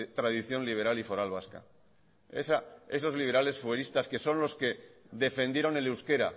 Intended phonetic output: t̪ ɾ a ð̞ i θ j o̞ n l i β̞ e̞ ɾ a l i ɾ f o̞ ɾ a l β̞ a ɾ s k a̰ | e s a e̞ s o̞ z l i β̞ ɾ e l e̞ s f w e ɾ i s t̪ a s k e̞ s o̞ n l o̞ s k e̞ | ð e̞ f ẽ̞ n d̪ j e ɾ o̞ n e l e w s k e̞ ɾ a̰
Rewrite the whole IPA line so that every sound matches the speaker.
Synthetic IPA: t̪ ɾ a ð̞ i θ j o̞ n l i β̞ e̞ ɾ a l i f o̞ ɾ a l β̞ a s k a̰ | e s a e̞ s o̞ z l i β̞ ɾ a l e̞ s f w e ɾ i s t̪ a s k e̞ s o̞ n l o̞ s k e̞ | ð e̞ f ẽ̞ n d̪ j e ɾ o̞ n e l e w s k e̞ ɾ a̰